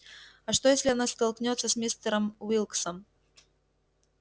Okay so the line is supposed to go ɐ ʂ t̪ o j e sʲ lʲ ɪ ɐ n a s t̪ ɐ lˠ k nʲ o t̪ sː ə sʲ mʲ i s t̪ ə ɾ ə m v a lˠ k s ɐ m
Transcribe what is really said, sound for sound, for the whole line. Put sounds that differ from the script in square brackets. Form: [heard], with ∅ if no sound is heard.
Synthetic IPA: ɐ ʂ t̪ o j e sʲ lʲ ɪ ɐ n a s t̪ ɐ lˠ k nʲ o t̪ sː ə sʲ mʲ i s t̪ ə ɾ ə m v [i] lˠ k s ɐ m

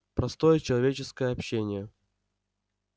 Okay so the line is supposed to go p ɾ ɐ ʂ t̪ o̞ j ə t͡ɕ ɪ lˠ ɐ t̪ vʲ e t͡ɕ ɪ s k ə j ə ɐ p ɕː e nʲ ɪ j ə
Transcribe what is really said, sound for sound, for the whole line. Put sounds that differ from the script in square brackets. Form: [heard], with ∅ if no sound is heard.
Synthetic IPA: p ɾ ɐ [s] t̪ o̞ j ə t͡ɕ ɪ lˠ ɐ [∅] vʲ e t͡ɕ ɪ s k ə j ə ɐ p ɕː e nʲ ɪ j ə

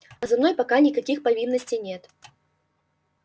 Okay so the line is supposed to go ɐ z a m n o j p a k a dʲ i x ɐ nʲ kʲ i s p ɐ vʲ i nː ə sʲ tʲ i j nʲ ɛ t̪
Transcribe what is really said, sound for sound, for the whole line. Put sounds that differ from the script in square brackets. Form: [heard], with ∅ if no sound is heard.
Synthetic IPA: ɐ z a m n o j p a k a [nʲ] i [k] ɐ [∅] kʲ i [x] p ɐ vʲ i nː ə sʲ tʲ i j nʲ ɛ t̪

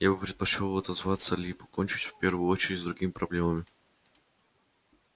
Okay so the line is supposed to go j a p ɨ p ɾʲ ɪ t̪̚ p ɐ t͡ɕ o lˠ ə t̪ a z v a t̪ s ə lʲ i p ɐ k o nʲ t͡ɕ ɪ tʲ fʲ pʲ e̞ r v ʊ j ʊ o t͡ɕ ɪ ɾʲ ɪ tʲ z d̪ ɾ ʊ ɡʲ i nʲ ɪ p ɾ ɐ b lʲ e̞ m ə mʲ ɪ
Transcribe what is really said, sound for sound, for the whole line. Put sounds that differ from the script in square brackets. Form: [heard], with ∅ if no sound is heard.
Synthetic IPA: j a [b] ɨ p ɾʲ ɪ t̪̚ p ɐ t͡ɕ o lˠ [ɐ] t̪ [ɐ] z v a t̪ s ə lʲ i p ɐ k o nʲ t͡ɕ ɪ tʲ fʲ pʲ e̞ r v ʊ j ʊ o t͡ɕ ɪ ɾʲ ɪ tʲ z d̪ ɾ ʊ ɡʲ i [mʲ] ɪ p ɾ ɐ b lʲ e̞ m ə mʲ ɪ

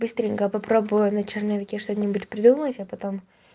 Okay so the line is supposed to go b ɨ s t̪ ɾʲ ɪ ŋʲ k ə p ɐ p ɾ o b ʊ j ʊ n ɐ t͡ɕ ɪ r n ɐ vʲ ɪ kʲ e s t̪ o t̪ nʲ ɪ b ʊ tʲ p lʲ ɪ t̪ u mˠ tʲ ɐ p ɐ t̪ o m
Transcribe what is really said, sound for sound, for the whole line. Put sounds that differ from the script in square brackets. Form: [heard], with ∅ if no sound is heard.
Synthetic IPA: b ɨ s t̪ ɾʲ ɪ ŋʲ k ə p ɐ p ɾ o b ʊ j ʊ n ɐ t͡ɕ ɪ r n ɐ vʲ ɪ kʲ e [ʂ] t̪ o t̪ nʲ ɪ b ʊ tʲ p [ɾʲ] ɪ [d̪] u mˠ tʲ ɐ p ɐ t̪ o m

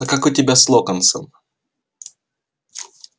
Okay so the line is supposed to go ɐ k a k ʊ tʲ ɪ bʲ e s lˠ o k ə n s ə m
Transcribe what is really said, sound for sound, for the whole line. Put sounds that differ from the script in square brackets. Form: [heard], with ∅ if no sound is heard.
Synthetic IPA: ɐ k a k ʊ tʲ ɪ bʲ [a] s lˠ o k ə n s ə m

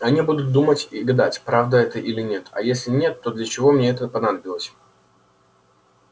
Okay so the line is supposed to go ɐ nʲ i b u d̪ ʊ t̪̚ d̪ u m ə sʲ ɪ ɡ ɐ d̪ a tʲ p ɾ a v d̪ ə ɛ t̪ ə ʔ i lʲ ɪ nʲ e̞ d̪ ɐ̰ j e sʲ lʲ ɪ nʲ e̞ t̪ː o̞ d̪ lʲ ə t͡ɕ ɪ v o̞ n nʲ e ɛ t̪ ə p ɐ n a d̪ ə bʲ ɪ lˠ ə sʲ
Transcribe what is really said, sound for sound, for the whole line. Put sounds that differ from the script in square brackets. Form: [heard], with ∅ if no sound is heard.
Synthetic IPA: ɐ nʲ i b u d̪ ʊ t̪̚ d̪ u m ə [tʲ] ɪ ɡ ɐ d̪ a tʲ p ɾ a v d̪ ə ɛ t̪ ə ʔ i lʲ ɪ nʲ e̞ [t̪] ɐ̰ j e sʲ lʲ ɪ nʲ e̞ t̪ː o̞ d̪ lʲ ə t͡ɕ ɪ v o̞ [m] nʲ e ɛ t̪ ə p ɐ n a d̪ ə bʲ ɪ lˠ ə sʲ

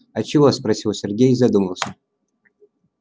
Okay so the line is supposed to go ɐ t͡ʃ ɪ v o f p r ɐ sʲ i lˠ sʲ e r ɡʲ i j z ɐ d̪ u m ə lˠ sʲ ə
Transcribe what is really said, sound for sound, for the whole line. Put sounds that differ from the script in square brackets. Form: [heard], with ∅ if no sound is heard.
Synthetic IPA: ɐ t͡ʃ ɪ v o [s] p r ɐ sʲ i lˠ sʲ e r ɡʲ [e] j z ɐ d̪ u m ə lˠ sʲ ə

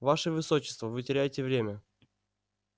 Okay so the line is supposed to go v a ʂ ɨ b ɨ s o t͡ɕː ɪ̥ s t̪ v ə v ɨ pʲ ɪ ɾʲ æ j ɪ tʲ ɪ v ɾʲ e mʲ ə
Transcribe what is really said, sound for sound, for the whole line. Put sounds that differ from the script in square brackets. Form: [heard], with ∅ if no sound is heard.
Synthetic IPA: v a ʂ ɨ [v] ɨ s o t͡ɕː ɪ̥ s t̪ v ə v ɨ [tʲ] ɪ ɾʲ æ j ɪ tʲ ɪ v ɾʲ e mʲ ə

